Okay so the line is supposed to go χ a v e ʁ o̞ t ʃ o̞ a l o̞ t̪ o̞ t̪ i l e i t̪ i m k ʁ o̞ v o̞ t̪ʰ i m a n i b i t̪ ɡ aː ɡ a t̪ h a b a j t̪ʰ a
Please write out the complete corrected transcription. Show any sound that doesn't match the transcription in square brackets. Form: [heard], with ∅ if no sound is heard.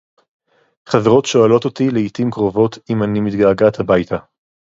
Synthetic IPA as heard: χ a v e ʁ o̞ t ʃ o̞ a l o̞ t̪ o̞ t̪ i l e i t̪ i m k ʁ o̞ v o̞ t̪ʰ i m a n i [m] i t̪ ɡ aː ɡ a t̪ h a b a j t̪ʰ a

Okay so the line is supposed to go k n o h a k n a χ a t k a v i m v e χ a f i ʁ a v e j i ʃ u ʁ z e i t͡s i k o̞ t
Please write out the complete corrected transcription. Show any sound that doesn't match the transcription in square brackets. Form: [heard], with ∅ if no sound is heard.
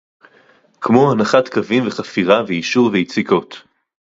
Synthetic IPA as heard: k [m] o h a [∅] n a χ a t k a v i m v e χ a f i ʁ a v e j i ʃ u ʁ [v] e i t͡s i k o̞ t

